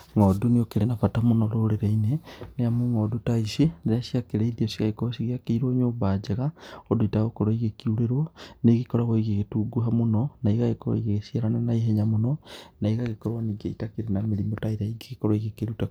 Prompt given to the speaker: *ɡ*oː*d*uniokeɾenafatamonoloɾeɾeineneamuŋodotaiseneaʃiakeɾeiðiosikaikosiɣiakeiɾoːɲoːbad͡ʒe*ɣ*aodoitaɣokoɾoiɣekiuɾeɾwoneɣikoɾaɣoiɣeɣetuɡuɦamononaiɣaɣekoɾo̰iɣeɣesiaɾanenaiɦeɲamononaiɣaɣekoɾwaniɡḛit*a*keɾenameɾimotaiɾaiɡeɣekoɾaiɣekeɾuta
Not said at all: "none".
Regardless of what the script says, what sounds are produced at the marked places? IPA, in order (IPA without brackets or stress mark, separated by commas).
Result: ŋ, d, ɣ, a